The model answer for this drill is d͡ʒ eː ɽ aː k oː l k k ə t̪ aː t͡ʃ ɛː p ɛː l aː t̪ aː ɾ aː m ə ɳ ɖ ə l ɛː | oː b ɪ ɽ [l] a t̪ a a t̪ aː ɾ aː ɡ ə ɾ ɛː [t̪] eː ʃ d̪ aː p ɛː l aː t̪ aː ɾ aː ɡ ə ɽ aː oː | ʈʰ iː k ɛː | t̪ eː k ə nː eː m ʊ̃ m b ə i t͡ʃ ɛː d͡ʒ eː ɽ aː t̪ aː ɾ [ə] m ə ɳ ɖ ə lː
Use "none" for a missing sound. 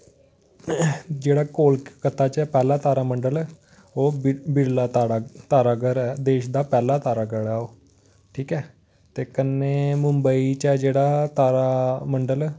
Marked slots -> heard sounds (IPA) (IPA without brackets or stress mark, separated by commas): l, d̪, a